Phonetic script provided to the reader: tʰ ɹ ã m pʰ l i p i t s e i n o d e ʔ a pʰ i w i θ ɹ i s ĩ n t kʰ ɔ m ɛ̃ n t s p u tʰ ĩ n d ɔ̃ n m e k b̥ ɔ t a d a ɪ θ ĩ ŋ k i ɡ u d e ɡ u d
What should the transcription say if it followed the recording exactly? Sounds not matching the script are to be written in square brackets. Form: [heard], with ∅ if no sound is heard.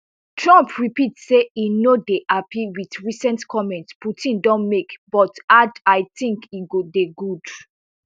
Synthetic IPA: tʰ ɹ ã m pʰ [ɹ] i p i t s e i n o d e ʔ a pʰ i w i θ ɹ i s [ɛ̃] n t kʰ ɔ m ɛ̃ n t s p u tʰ ĩ n d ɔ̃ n m e k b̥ ɔ t a d a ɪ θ ĩ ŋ k i ɡ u d e ɡ u d